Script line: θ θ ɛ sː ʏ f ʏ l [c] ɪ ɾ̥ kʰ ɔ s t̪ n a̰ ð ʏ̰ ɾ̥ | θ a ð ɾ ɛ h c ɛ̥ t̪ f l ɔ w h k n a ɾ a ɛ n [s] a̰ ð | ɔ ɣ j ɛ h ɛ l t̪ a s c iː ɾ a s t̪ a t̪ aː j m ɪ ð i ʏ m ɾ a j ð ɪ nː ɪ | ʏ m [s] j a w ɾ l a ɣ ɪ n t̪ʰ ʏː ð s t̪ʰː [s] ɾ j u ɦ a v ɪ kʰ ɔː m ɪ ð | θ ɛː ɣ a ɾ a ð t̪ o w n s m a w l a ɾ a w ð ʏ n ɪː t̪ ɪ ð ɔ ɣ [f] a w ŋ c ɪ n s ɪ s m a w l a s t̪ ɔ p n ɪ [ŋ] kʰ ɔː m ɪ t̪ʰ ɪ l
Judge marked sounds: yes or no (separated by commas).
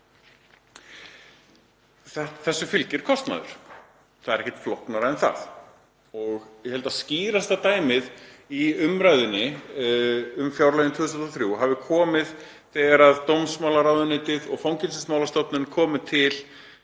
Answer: yes, no, no, no, yes, no